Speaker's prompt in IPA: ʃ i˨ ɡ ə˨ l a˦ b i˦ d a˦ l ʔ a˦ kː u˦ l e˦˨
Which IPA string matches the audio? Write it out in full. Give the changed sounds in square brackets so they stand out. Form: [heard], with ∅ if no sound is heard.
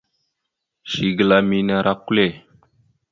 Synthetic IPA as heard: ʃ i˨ ɡ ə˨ l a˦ [m] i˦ [n] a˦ [ɾ] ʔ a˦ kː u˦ l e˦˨